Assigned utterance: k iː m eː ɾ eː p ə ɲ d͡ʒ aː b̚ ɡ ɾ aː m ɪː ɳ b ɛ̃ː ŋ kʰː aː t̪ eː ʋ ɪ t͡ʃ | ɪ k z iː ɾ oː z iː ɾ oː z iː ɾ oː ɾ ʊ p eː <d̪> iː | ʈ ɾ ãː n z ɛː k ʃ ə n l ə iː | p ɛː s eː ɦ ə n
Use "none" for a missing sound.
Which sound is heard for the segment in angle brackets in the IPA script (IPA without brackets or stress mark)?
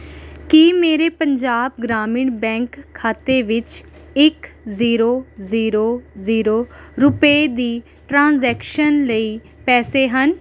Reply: d̪